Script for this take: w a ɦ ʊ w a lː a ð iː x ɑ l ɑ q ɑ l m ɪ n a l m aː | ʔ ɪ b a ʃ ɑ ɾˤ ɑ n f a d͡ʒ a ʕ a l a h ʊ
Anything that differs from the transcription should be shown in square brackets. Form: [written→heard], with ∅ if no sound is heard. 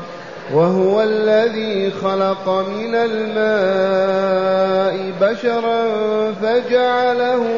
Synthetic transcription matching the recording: w a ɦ ʊ w a lː a ð iː x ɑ l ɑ q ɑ [l→∅] m ɪ n a l m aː | ʔ ɪ b a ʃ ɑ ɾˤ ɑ n f a d͡ʒ a ʕ a l a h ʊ